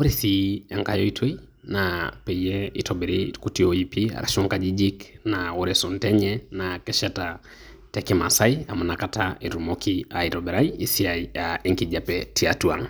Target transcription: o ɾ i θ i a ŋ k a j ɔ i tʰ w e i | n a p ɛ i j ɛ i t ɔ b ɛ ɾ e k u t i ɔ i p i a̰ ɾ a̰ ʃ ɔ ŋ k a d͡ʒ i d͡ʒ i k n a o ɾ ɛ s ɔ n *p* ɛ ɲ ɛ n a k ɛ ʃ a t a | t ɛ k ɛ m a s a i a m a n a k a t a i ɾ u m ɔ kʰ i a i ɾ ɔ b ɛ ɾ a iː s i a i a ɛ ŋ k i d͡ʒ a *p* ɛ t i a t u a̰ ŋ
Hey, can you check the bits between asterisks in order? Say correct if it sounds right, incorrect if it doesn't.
incorrect, correct

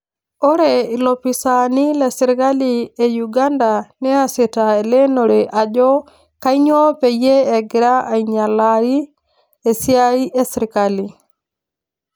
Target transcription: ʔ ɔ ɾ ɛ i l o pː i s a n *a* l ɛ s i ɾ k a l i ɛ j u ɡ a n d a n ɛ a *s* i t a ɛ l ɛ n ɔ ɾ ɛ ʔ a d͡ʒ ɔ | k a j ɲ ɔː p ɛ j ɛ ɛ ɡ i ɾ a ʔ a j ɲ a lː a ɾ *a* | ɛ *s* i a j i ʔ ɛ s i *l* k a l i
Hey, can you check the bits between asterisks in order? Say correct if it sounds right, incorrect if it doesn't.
incorrect, correct, incorrect, correct, incorrect

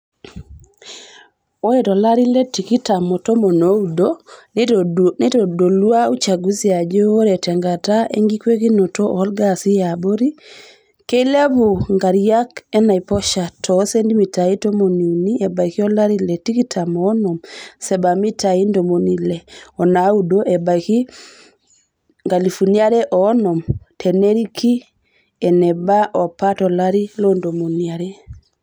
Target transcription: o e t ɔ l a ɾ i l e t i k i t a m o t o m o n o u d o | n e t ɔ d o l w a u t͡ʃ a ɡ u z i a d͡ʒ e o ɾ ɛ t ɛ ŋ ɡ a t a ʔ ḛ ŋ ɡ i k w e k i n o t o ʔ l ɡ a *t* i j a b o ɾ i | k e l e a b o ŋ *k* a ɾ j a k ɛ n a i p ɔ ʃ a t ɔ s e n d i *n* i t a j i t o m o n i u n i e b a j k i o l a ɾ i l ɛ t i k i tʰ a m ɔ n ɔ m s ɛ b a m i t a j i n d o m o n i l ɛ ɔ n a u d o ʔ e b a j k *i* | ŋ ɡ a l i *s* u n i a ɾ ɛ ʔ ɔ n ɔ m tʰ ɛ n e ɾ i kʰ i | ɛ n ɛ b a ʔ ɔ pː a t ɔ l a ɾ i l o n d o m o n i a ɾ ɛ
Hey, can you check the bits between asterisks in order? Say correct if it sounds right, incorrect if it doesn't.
incorrect, incorrect, incorrect, correct, incorrect

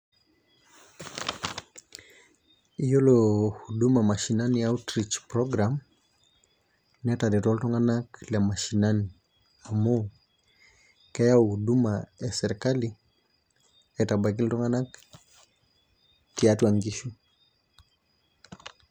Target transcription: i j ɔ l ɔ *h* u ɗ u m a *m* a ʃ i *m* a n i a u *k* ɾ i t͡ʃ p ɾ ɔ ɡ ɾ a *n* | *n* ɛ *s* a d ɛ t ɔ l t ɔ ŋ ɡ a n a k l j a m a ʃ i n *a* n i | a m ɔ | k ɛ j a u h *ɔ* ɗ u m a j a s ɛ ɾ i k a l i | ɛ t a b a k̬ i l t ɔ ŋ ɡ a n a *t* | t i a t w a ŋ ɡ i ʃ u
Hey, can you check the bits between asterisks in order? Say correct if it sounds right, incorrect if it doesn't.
correct, correct, incorrect, incorrect, incorrect, correct, incorrect, correct, incorrect, incorrect

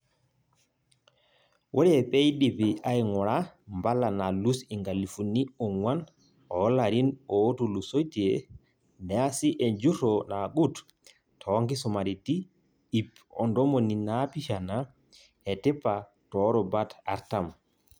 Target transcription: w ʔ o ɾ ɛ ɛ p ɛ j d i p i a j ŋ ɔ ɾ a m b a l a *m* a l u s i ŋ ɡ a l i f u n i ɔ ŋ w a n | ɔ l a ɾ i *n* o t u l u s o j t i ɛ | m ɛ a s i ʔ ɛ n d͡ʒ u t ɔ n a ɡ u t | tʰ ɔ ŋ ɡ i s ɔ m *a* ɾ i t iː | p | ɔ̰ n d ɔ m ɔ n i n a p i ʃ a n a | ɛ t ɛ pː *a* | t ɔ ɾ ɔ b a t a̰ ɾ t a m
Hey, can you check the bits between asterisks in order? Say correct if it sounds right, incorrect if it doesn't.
incorrect, correct, correct, correct

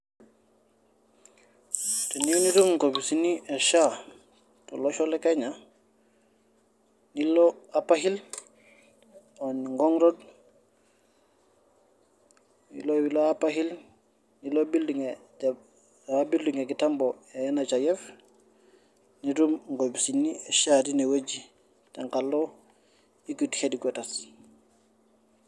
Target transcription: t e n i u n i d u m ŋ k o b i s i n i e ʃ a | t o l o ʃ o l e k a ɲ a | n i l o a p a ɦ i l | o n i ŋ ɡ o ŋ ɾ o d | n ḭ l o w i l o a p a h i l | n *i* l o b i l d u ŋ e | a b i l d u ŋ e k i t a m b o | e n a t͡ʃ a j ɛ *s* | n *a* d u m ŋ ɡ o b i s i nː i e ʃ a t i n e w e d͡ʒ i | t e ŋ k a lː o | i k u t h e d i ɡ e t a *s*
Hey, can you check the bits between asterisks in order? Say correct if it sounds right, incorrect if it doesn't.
correct, incorrect, incorrect, correct

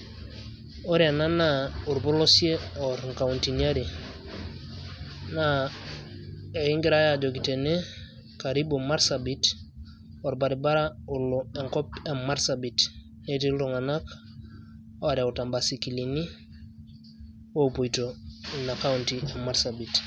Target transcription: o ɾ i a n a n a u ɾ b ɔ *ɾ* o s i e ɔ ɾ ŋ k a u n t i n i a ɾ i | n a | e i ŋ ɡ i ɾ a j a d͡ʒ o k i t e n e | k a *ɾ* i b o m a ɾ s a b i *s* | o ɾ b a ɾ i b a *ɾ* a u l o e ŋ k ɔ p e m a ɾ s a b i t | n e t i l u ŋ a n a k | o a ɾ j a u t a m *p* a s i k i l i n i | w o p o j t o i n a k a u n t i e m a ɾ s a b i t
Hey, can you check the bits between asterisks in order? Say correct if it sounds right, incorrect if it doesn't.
incorrect, correct, incorrect, correct, incorrect

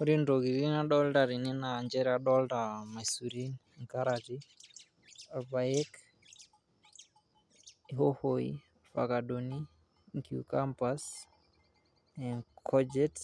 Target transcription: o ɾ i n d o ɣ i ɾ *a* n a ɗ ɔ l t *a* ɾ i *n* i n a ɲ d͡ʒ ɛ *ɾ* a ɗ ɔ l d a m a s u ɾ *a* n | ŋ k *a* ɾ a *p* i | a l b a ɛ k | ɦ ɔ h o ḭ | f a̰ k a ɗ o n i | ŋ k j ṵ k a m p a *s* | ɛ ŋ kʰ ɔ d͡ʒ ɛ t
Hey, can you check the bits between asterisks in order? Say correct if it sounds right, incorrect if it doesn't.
incorrect, correct, correct, correct, incorrect, correct, incorrect, correct

